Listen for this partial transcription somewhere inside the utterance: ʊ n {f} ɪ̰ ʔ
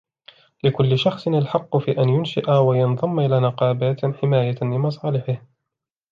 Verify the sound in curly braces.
incorrect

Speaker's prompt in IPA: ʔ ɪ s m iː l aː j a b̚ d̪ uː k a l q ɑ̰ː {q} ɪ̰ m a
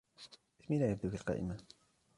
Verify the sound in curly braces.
incorrect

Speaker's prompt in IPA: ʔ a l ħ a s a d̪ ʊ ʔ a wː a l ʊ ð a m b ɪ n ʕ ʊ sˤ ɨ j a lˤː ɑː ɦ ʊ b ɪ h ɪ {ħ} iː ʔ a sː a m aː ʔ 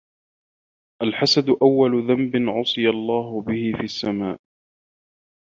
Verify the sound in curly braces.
incorrect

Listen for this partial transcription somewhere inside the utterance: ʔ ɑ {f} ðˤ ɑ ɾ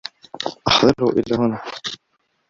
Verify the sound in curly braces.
incorrect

